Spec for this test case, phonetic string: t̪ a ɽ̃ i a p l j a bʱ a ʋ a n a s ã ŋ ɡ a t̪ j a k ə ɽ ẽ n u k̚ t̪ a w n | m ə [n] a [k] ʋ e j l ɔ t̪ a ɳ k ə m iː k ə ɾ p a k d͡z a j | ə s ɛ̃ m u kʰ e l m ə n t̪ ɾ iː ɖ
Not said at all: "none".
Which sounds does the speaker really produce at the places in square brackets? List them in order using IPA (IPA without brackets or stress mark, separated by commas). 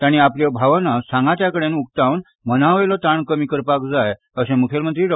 n, none